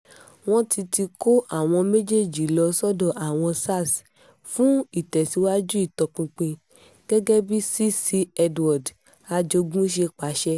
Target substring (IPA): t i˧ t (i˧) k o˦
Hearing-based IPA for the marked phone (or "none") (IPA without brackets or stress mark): i˧